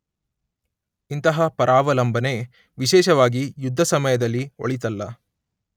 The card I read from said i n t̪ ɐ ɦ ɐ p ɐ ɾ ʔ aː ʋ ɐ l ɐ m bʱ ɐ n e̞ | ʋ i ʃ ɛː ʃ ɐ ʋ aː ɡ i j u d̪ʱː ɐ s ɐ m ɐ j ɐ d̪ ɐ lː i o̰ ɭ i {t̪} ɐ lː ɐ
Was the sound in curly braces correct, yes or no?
yes